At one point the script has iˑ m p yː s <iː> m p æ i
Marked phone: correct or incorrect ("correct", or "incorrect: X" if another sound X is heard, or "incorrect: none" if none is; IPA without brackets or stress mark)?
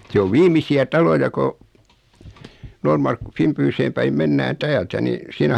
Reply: incorrect: eː